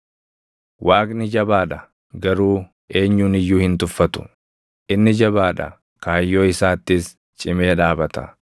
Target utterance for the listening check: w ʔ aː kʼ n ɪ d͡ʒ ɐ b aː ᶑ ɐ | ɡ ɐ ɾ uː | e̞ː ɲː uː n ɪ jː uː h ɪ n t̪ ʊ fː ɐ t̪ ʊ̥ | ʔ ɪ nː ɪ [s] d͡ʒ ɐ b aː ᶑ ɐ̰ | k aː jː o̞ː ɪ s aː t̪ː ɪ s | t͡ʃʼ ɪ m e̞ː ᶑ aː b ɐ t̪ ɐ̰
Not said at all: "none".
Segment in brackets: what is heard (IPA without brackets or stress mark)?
none